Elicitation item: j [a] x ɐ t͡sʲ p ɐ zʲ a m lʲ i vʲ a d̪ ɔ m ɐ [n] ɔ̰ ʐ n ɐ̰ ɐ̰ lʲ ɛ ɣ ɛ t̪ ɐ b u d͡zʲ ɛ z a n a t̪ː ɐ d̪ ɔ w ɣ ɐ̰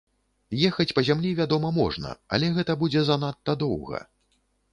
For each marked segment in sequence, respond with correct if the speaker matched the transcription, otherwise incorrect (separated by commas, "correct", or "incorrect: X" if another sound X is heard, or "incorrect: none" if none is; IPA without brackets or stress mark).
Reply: incorrect: ɛ, incorrect: m